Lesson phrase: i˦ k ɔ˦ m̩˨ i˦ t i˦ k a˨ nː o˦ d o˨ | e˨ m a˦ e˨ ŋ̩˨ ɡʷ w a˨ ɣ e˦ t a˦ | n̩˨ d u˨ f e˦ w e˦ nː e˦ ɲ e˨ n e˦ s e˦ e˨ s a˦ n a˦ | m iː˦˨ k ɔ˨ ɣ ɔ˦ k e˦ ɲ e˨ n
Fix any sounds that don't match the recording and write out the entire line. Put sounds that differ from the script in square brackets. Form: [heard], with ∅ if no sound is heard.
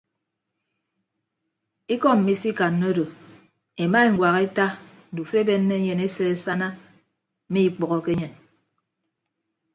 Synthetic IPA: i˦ k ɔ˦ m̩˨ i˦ [s] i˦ k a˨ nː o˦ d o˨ | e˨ m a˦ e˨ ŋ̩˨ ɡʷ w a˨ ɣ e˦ t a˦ | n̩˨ d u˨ f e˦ [b] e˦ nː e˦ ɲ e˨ n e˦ s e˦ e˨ s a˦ n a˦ | m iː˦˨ [k͡p] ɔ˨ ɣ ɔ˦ k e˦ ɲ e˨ n